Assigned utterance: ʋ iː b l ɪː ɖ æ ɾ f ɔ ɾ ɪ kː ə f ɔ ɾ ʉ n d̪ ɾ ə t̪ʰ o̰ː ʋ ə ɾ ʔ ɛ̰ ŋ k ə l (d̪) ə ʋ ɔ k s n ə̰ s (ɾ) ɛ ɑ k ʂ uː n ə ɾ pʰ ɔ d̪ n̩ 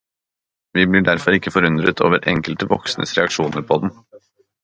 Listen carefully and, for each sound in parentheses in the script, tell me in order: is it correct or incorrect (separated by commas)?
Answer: incorrect, correct